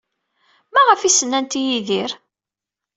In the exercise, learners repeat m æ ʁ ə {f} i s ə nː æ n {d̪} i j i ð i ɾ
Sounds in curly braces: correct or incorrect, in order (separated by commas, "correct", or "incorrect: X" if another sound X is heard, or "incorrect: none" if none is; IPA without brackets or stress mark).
correct, incorrect: t̪